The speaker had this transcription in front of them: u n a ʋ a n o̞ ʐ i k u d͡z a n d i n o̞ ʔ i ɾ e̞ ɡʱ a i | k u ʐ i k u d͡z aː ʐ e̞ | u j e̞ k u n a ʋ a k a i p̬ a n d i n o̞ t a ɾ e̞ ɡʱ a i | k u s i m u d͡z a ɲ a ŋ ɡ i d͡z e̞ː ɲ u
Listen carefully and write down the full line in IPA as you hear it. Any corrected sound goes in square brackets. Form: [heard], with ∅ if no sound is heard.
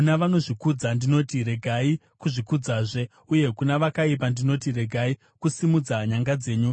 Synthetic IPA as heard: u n a ʋ a n o̞ ʐ i k u d͡z a n d i n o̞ [t] i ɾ e̞ ɡʱ a i | k u ʐ i k u d͡z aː ʐ e̞ | u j e̞ k u n a ʋ a k a i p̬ a n d i n o̞ t [i] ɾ e̞ ɡʱ a i | k u s i m u d͡z a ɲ a ŋ ɡ [a] d͡z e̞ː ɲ u

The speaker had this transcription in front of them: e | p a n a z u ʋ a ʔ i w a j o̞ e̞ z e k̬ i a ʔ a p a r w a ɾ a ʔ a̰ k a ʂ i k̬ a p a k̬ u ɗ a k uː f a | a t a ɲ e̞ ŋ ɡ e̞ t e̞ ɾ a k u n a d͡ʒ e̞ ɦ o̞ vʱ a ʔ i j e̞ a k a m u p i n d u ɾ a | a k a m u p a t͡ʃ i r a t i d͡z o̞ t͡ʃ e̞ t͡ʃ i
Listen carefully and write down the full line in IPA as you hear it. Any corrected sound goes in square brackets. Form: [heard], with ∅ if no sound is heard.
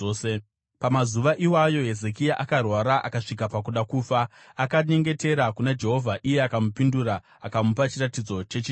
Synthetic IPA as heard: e | p a [m] a z u ʋ a ʔ i w a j o̞ e̞ z e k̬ i a ʔ a [k] a r w a ɾ a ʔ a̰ k a ʂ i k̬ a p a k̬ u ɗ a k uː f a | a [k] a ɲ e̞ ŋ ɡ e̞ t e̞ ɾ a k u n a d͡ʒ e̞ ɦ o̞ vʱ a ʔ i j e̞ a k a m u p i n d u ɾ a | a k a m u p a t͡ʃ i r a t i d͡z o̞ t͡ʃ e̞ t͡ʃ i

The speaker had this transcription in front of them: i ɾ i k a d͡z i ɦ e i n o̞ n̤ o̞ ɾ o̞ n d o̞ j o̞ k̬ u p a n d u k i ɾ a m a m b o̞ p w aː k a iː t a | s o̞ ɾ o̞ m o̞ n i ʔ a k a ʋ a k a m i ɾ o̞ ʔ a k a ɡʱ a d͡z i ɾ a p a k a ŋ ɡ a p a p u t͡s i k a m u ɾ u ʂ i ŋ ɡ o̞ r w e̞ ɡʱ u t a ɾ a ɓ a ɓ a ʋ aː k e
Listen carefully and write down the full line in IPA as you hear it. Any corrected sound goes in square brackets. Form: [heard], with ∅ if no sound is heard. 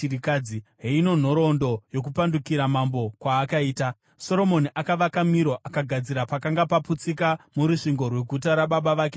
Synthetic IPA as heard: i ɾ i k a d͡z i ɦ e i n o̞ n̤ o̞ ɾ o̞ n d o̞ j o̞ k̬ u p a n d u k i ɾ a m a m b o̞ [k] w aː k a iː t a | s o̞ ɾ o̞ m o̞ n i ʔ a k a ʋ a k a m i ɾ o̞ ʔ a k a ɡʱ a d͡z i ɾ a p a k a ŋ ɡ a p a p u t͡s i k a m u ɾ u ʂ i ŋ ɡ o̞ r w e̞ ɡʱ u t a ɾ a ɓ a ɓ a ʋ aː k e

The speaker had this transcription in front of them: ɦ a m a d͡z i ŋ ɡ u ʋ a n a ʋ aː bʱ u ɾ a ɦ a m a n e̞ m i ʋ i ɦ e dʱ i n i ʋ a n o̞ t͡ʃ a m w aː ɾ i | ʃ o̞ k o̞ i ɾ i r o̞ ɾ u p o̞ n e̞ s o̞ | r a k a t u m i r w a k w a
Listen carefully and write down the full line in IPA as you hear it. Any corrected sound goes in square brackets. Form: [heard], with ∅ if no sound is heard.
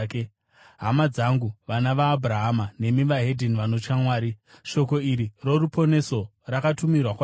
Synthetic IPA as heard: ɦ a m a d͡z [a] ŋ ɡ u ʋ a n a ʋ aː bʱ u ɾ a ɦ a m a n e̞ m i ʋ [a] ɦ e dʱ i n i ʋ a n o̞ t͡ʃ a m w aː ɾ i | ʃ o̞ k o̞ i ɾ i r o̞ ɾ u p o̞ n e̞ s o̞ | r a k a t u m i r w a k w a

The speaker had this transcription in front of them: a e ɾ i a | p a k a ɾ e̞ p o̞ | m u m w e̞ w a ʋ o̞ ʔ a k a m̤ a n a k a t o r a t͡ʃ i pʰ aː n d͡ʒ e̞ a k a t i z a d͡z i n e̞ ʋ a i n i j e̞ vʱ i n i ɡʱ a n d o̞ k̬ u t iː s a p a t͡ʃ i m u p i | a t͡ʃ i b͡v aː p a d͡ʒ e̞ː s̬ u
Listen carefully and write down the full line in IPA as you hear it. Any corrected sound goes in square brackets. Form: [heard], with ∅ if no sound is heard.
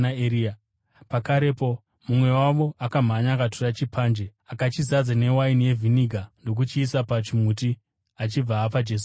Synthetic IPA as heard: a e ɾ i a | p a k a ɾ e̞ p o̞ | m u m w e̞ w a ʋ o̞ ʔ a k a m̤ a [ɲ] a k a t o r a t͡ʃ i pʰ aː n d͡ʒ e̞ a k a [t͡ʃ] i z a d͡z [a] n e̞ [w] a i n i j e̞ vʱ i n i ɡʱ a n d o̞ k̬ u [t͡ʃ] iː s a p a t͡ʃ i m u [t] i | a t͡ʃ i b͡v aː p a d͡ʒ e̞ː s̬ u

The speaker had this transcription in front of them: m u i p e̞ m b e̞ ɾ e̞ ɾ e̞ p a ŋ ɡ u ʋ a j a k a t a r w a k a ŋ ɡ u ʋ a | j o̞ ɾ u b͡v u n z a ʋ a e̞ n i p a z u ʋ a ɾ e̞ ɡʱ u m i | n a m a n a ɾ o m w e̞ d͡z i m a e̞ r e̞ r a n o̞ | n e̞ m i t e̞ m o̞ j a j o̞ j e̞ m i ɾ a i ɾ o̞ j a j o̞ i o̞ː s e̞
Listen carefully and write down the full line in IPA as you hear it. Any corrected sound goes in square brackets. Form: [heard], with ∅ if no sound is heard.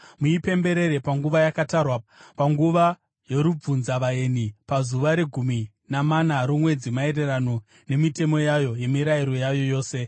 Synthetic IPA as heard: m u i p e̞ m b e̞ ɾ e̞ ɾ e̞ p a ŋ ɡ u ʋ a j a k a t a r w a [p] a ŋ ɡ u ʋ a | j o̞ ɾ u b͡v u n z a ʋ a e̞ n i p a z u ʋ a ɾ e̞ ɡʱ u m i | n a m a n a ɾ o m w e̞ d͡z i m a e̞ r e̞ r a n o̞ | n e̞ m i t e̞ m o̞ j a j o̞ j e̞ m i ɾ a i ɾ o̞ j a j o̞ [j] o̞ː s e̞

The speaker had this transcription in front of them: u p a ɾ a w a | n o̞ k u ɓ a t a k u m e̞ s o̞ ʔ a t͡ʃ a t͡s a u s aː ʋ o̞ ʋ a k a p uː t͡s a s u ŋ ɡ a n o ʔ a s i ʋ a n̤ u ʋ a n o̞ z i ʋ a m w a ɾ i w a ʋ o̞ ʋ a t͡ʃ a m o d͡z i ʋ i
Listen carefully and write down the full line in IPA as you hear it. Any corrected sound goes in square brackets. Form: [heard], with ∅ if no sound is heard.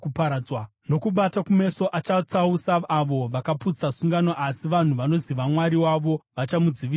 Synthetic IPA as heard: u p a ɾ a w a | n o̞ k u ɓ a t a k u m e̞ s o̞ ʔ a t͡ʃ a t͡s a u s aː ʋ o̞ ʋ a k a p [u] t͡s a s u ŋ ɡ a n o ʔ a s i ʋ a n̤ u ʋ a n o̞ z i ʋ a m w a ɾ i w a ʋ o̞ ʋ a t͡ʃ a m [u] d͡z i ʋ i

